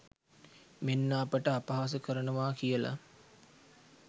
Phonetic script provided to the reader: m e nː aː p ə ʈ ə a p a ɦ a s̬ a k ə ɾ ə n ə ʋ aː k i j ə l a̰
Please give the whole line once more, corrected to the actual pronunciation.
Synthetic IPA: m e nː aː p ə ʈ ə a p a ɦ a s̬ ə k ə ɾ ə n ə ʋ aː k i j ə l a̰